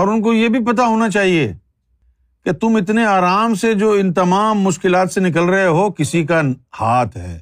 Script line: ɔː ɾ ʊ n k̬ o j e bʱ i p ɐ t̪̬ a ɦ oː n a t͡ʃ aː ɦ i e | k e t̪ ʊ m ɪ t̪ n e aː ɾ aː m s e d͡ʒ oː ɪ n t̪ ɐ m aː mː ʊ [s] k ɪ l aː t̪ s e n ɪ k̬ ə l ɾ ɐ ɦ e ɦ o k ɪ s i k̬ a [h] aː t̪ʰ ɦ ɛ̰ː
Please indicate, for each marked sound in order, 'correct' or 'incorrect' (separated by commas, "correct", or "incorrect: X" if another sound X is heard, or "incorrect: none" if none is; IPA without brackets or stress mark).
incorrect: ʃ, correct